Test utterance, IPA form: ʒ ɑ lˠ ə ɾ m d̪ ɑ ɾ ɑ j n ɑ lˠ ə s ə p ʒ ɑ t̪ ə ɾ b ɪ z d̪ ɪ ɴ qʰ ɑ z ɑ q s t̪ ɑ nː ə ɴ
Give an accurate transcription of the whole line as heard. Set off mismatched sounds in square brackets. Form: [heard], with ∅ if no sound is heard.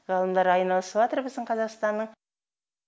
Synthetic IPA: [ʁ] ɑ lˠ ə [∅] m d̪ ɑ ɾ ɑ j n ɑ lˠ ə s ə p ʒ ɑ t̪ ə ɾ b ɪ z d̪ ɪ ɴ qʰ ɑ z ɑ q s t̪ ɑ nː ə ɴ